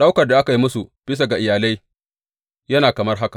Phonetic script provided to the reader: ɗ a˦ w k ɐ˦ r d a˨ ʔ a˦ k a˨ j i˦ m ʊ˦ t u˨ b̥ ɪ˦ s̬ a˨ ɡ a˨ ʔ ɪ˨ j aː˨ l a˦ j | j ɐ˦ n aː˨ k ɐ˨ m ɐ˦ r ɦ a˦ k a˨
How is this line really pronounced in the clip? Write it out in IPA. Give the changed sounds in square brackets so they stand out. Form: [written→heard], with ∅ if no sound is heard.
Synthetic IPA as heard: ɗ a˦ w k [ɐ˦→ɐ˨] r d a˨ ʔ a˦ k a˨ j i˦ m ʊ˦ [t→s] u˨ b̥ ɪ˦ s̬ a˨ ɡ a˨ ʔ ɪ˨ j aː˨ l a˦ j | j ɐ˦ n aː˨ k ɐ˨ m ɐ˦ r ɦ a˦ k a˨